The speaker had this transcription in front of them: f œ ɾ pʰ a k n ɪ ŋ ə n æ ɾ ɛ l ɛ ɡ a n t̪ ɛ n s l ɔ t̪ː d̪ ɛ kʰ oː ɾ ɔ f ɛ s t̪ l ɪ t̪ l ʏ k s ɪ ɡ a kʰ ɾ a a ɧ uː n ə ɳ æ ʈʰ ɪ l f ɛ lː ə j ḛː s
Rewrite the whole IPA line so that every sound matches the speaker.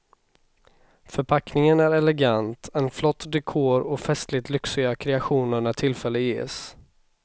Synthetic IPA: f œ ɾ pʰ a k n ɪ ŋ ə n æ ɾ ɛ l ɛ ɡ a n t̪ ɛ n f l ɔ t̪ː d̪ ɛ kʰ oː ɾ ɔ f ɛ s t̪ l ɪ t̪ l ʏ k s ɪ ɡ a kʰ ɾ ɛ a ɧ uː n ə ɳ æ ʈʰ ɪ l f ɛ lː ə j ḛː s